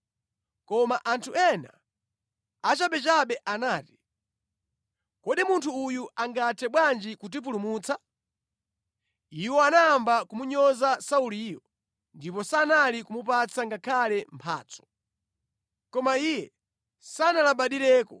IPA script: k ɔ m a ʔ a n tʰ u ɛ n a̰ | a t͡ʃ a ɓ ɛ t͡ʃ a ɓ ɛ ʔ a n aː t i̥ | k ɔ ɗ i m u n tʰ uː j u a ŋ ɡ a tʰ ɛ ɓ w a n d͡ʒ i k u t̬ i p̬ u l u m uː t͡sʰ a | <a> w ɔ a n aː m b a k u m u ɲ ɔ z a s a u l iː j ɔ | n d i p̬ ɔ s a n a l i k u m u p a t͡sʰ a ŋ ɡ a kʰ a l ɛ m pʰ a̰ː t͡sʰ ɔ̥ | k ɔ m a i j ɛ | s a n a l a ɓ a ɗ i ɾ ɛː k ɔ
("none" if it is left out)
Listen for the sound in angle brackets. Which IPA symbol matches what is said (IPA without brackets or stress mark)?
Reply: i